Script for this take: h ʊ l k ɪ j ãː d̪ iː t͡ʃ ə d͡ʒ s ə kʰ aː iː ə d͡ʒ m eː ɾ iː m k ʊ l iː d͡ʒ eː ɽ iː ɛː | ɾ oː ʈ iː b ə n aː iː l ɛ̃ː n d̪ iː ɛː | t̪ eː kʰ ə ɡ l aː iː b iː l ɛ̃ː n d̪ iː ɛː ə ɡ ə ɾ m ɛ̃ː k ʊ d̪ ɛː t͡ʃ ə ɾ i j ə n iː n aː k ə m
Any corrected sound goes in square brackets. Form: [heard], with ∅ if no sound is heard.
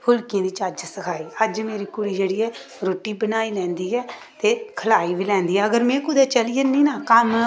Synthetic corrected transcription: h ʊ l k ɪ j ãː d̪ iː t͡ʃ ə d͡ʒ s ə kʰ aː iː ə d͡ʒ m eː ɾ iː [∅] k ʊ [ɽ] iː d͡ʒ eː ɽ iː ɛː | ɾ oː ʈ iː b ə n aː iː l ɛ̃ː n d̪ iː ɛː | t̪ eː kʰ ə [∅] l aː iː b iː l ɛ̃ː n d̪ iː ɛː ə ɡ ə ɾ m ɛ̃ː k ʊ d̪ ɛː t͡ʃ ə [l] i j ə n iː n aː k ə m

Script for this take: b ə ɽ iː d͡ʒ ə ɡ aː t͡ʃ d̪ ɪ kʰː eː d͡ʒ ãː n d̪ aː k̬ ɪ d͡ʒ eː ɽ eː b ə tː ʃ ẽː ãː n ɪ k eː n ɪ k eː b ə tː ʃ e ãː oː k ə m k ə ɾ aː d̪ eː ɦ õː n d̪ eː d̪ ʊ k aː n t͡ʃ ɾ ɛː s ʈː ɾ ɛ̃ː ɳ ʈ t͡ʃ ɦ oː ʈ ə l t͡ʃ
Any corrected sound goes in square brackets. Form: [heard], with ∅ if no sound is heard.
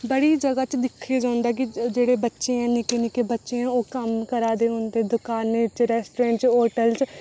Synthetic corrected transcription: b ə ɽ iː d͡ʒ ə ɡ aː t͡ʃ d̪ ɪ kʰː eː d͡ʒ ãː n d̪ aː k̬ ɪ d͡ʒ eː ɽ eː b ə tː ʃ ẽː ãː n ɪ k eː n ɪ k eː b ə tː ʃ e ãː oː k ə m k ə ɾ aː d̪ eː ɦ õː n d̪ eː d̪ ʊ k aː n t͡ʃ ɾ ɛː s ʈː ɾ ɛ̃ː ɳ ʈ t͡ʃ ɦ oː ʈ ə l t͡ʃ

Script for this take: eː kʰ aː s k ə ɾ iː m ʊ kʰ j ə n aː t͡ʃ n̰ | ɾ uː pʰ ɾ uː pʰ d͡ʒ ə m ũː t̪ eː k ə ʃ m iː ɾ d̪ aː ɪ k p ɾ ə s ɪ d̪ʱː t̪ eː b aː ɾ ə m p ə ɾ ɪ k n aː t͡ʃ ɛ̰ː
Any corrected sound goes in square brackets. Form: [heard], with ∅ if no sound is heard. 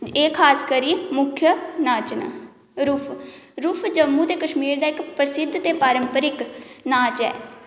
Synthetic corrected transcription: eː kʰ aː s k ə ɾ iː m ʊ kʰ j ə n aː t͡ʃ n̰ | ɾ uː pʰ ɾ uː pʰ d͡ʒ ə m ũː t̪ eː k ə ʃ m iː ɾ d̪ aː ɪ k p ɾ ə s ɪ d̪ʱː t̪ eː [p] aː ɾ ə m p ə ɾ ɪ k n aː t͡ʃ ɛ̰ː

